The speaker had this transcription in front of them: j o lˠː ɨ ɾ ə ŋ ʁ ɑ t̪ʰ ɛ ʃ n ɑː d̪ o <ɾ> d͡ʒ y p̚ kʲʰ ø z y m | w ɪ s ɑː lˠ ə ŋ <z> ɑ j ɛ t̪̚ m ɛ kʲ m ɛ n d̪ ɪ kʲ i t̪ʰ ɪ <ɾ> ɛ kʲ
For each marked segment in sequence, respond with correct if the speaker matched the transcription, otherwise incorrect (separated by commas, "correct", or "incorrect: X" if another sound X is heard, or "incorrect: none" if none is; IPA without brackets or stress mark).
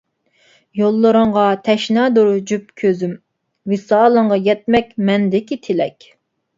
correct, incorrect: ʁ, incorrect: l